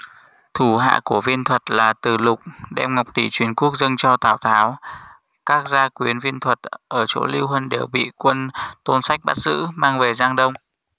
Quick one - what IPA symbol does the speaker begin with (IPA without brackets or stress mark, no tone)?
t̪ʰ